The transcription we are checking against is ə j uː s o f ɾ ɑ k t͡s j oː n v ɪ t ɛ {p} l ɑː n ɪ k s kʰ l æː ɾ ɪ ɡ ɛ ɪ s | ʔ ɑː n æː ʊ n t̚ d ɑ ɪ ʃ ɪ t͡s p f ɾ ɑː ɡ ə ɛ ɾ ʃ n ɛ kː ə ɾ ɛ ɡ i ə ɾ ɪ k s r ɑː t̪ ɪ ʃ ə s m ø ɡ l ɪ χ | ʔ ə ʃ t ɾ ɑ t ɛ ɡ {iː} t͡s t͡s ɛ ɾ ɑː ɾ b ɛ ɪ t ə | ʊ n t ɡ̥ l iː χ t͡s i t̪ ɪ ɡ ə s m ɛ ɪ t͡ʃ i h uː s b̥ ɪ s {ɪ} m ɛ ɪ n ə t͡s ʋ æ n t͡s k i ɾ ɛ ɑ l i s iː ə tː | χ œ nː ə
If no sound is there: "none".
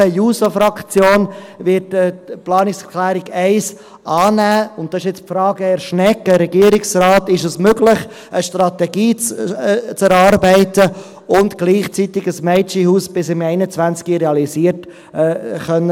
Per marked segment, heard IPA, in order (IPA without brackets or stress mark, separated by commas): p, iː, ɪ